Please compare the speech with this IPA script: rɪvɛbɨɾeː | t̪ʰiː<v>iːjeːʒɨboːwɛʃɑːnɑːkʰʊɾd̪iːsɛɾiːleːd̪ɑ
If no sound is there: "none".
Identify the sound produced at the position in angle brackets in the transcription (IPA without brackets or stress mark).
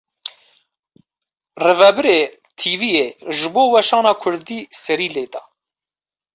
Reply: v